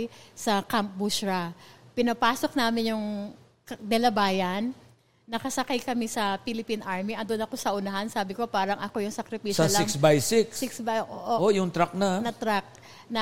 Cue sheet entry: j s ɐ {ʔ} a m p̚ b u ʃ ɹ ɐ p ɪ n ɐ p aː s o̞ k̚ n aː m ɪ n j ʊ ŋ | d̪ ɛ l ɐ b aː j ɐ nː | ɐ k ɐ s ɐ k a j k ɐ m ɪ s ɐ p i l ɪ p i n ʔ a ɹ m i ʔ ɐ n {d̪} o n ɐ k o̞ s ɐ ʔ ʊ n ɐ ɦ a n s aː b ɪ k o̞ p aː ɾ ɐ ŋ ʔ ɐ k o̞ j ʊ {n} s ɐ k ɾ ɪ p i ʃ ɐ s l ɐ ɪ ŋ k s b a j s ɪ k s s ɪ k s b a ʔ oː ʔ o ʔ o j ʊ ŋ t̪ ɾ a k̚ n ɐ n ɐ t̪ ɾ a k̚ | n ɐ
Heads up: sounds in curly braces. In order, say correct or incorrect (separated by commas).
incorrect, correct, incorrect